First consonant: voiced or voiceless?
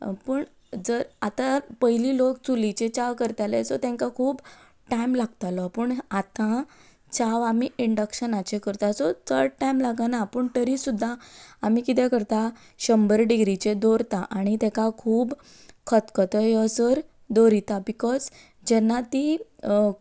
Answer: voiceless